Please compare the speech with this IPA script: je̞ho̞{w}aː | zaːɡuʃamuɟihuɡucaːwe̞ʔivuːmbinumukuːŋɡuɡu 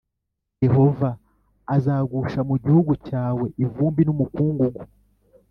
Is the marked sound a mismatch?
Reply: yes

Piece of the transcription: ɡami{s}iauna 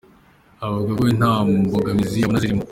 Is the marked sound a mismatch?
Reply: yes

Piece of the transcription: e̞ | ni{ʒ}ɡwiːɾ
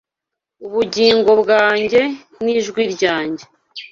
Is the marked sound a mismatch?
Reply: no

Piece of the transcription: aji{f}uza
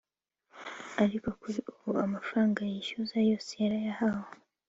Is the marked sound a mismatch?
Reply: yes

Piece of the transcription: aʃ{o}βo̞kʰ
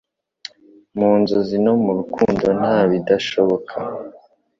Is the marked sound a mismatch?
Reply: no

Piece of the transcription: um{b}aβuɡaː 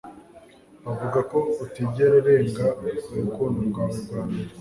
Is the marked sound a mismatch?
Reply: yes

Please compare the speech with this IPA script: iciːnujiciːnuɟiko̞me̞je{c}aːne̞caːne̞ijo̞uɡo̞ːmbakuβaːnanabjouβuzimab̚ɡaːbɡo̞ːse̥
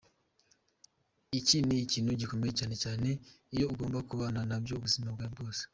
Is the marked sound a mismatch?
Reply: no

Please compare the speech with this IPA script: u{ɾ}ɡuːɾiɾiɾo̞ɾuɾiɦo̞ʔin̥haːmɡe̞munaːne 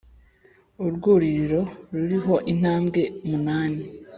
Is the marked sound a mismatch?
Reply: no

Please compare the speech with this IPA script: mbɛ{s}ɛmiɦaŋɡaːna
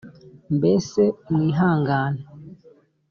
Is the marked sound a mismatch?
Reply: no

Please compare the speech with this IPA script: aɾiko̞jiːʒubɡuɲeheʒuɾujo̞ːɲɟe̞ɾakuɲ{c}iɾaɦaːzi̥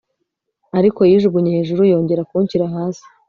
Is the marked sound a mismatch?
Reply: no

